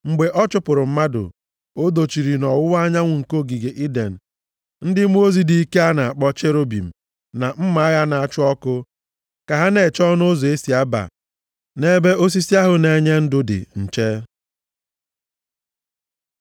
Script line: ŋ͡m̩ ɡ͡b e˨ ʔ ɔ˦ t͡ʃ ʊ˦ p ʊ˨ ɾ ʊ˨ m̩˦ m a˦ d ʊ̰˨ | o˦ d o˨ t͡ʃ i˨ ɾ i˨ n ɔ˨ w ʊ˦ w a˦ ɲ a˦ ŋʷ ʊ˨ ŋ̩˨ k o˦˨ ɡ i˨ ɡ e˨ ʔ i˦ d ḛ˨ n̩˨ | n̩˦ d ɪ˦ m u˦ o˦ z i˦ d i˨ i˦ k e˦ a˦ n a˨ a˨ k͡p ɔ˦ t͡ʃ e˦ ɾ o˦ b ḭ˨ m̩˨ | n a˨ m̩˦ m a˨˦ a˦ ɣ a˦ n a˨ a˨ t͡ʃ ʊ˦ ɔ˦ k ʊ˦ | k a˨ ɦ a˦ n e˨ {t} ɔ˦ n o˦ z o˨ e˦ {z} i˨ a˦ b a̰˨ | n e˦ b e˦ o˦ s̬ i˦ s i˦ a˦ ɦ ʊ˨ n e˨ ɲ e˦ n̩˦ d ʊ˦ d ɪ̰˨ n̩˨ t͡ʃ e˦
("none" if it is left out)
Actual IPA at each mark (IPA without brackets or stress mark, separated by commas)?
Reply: t͡ʃ, s